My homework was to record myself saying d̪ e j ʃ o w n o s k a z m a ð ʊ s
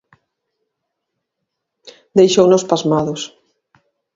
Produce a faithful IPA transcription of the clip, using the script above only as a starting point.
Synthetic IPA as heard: d̪ e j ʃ o w n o s p a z m a ð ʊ s